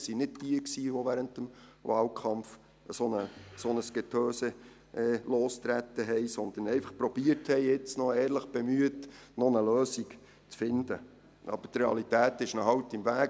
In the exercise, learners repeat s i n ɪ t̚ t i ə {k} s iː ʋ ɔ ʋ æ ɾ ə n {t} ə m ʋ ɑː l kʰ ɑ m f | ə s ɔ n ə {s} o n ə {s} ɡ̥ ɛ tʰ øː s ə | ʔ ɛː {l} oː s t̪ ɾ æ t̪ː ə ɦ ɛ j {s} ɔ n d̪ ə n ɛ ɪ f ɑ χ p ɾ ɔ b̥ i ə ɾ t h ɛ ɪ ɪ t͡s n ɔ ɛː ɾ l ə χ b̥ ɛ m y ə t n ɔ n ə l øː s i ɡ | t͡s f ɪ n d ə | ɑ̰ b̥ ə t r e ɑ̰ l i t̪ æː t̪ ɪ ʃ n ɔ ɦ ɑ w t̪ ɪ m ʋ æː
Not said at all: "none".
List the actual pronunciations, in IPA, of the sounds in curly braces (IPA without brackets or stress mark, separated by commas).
k, t, s, s, l, s